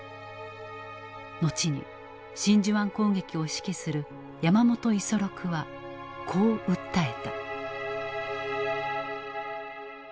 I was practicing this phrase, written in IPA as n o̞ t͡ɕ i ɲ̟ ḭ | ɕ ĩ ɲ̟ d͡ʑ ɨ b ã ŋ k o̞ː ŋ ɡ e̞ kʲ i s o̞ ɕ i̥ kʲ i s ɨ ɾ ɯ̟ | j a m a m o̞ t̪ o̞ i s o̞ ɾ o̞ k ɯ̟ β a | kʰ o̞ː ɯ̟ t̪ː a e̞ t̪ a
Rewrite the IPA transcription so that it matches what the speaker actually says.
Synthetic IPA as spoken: n o̞ t͡ɕ i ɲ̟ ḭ | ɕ ĩ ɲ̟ d͡ʑ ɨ β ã ŋ k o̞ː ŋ ɡ e̞ kʲ i o̞ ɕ i̥ kʲ i s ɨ ɾ ɯ̟ | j a m a m o̞ t̪ o̞ i s o̞ ɾ o̞ k ɯ̟ β a | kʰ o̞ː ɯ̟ t̪ː a e̞ t̪ a